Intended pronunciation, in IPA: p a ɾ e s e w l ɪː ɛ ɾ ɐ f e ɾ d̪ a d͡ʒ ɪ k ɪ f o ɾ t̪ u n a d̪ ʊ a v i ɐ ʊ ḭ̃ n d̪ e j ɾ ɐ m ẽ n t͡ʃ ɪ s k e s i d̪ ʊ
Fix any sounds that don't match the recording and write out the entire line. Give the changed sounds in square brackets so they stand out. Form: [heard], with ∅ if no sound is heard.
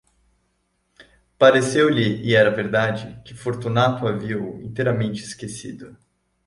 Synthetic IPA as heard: p a ɾ e s e w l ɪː ɛ ɾ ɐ [v] e ɾ d̪ a d͡ʒ ɪ k ɪ f o ɾ t̪ u n a [t̪] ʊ a v i ɐ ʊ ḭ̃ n [t̪] e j ɾ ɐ m ẽ n t͡ʃ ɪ s k e s i d̪ ʊ

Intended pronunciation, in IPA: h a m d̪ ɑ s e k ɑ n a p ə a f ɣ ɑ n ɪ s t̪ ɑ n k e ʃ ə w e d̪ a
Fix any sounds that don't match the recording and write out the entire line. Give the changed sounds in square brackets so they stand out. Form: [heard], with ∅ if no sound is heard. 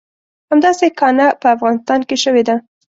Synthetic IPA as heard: h a m d̪ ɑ s e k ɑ n a p ə a f ɣ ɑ n ɪ s t̪ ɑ n k e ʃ ə w e d̪ a

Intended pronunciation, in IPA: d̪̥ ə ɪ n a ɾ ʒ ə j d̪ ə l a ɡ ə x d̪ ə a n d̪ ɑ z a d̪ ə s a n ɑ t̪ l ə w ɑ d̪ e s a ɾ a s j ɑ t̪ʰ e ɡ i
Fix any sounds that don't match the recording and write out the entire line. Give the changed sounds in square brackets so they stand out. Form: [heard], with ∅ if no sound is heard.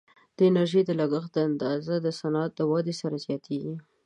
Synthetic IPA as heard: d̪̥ ə ɪ n a ɾ ʒ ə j d̪ ə l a ɡ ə x d̪ ə a n d̪ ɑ z a d̪ ə s a n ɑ t̪ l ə w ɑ d̪ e s a ɾ a [z] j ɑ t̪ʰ e ɡ i

